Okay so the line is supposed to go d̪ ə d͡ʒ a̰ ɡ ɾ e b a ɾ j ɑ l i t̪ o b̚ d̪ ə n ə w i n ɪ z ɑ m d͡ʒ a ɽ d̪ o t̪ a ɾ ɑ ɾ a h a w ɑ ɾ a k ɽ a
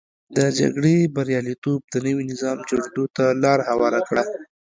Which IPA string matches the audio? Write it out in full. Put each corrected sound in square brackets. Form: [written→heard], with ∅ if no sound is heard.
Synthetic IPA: d̪ ə d͡ʒ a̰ ɡ [ɾ→ɽ] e b a ɾ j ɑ l i t̪ o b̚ d̪ ə n ə w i n ɪ z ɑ m d͡ʒ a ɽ d̪ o t̪ a [ɾ→l] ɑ ɾ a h a w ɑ ɾ a k ɽ a

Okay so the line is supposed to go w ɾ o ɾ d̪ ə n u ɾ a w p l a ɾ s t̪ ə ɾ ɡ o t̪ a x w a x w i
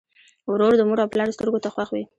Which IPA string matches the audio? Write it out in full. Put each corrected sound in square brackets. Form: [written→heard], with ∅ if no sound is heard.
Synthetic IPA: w ɾ o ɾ d̪ ə [n→m] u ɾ a w p l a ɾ s t̪ ə ɾ ɡ o t̪ a x w a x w i

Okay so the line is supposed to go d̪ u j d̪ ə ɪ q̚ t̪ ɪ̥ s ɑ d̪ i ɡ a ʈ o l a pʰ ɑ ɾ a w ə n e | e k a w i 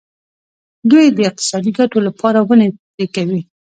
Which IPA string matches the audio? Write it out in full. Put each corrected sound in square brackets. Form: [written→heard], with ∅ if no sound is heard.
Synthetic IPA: d̪ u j d̪ ə ɪ q̚ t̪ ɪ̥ s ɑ d̪ i ɡ a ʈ o l a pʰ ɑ ɾ a w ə n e | e k a w i

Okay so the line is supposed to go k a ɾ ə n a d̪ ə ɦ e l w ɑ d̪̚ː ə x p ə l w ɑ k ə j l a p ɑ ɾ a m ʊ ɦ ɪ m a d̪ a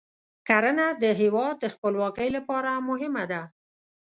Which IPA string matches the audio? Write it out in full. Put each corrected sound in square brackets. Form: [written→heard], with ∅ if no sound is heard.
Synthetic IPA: k a ɾ ə n a d̪ ə ɦ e [l→∅] w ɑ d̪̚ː ə x p ə l w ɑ k ə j l a p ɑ ɾ a m ʊ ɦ ɪ m a d̪ a

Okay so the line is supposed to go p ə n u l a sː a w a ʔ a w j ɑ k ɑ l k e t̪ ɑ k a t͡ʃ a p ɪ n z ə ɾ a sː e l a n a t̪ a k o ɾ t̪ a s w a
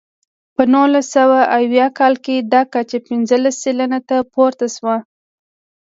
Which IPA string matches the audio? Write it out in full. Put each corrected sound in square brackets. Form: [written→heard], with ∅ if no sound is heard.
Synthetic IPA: p ə n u l a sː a w a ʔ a w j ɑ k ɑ l k e [t̪→d̪] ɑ k a t͡ʃ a p ɪ n z ə [ɾ→l] a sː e l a n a t̪ a [k→p] o ɾ t̪ a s w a

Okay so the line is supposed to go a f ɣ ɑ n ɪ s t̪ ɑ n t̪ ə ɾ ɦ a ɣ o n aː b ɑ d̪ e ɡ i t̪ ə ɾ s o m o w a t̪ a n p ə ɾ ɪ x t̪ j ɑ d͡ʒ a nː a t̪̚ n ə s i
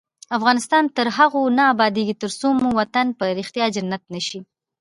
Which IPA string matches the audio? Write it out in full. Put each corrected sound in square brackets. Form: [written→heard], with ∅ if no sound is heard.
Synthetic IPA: a f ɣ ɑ n ɪ s t̪ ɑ n t̪ ə ɾ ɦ a ɣ o n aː b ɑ d̪ e ɡ i t̪ ə ɾ s o m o w a t̪ a n p ə ɾ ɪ x t̪ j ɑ d͡ʒ a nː a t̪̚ n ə [s→ʃ] i

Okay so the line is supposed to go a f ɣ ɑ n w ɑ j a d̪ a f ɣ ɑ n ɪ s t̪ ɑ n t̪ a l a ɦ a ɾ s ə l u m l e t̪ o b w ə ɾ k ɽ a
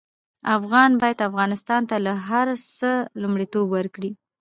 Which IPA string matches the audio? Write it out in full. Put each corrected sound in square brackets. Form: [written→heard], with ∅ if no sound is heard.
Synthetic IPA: a f ɣ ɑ n [w→b] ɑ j a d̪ a f ɣ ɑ n ɪ s t̪ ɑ n t̪ a l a ɦ a ɾ s ə l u m [l→ɽ] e t̪ o b w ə ɾ k ɽ [a→i]

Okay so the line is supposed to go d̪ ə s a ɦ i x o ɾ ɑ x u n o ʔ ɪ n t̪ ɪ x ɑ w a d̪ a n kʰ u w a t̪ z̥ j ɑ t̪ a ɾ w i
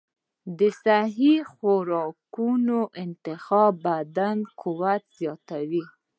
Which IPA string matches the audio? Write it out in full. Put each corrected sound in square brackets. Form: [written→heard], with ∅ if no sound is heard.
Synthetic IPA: d̪ ə s a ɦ i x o ɾ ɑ [x→k] u n o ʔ ɪ n t̪ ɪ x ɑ [w→b] a d̪ a n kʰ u w a t̪ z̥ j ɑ t̪ a [ɾ→∅] w i

